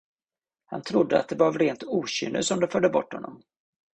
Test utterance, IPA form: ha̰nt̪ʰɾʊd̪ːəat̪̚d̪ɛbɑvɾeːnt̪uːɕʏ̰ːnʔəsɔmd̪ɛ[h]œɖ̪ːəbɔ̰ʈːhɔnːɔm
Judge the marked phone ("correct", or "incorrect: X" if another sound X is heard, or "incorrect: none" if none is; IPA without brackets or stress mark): incorrect: f